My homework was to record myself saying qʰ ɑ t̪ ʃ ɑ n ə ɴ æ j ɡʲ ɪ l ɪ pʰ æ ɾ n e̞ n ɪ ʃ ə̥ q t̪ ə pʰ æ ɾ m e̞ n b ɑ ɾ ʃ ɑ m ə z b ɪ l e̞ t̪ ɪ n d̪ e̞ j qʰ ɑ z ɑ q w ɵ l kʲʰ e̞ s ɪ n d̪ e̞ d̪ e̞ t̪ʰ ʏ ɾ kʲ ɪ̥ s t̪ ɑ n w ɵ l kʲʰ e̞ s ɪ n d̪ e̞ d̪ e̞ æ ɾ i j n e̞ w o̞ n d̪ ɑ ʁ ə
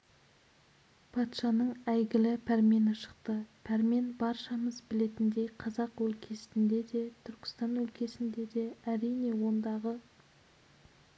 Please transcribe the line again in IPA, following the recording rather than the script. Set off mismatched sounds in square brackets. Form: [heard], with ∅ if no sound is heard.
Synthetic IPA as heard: [pʰ] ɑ t̪ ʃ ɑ n ə ɴ æ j ɡʲ ɪ l ɪ pʰ æ ɾ [m] e̞ n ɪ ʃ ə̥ q t̪ ə pʰ æ ɾ m e̞ n b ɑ ɾ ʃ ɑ m ə z b ɪ l e̞ t̪ ɪ n d̪ e̞ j qʰ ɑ z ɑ q w ɵ l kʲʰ e̞ s ɪ n d̪ e̞ d̪ e̞ t̪ʰ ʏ ɾ kʲ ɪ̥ s t̪ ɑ n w ɵ l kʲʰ e̞ s ɪ n d̪ e̞ d̪ e̞ æ ɾ i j n e̞ w o̞ n d̪ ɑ ʁ ə